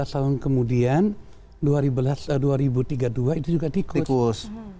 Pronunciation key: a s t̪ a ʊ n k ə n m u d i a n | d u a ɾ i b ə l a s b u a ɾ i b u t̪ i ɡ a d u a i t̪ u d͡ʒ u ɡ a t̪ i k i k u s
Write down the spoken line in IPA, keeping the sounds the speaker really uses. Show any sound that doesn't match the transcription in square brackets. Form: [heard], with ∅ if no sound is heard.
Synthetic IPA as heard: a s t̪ a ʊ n k ə [∅] m u d i a n | d u a ɾ i b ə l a s [d] u a ɾ i b u t̪ i ɡ a d u a i t̪ u d͡ʒ u ɡ a t̪ i k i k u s